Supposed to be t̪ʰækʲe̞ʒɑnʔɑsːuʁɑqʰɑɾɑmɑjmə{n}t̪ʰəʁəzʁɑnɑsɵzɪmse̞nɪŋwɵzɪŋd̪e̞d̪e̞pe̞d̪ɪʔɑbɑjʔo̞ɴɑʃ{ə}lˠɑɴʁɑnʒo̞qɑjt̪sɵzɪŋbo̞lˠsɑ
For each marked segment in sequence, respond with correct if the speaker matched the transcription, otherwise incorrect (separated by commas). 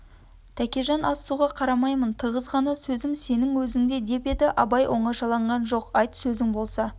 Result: correct, incorrect